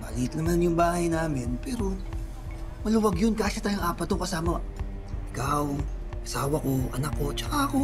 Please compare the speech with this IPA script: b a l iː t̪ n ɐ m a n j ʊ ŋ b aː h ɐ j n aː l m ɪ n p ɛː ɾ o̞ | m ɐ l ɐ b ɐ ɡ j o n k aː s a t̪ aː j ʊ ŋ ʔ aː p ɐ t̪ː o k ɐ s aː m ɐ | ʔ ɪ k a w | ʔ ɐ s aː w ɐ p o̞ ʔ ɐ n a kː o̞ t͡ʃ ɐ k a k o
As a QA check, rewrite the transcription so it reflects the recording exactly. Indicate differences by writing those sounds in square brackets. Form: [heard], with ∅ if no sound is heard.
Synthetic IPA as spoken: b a l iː t̪ n ɐ m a n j ʊ ŋ b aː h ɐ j n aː [∅] m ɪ n p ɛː ɾ o̞ | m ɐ l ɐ [w] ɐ ɡ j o n k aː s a t̪ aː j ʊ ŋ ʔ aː p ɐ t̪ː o k ɐ s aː m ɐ | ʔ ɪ k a w | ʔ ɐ s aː w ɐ [k] o̞ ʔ ɐ n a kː o̞ t͡ʃ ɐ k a k o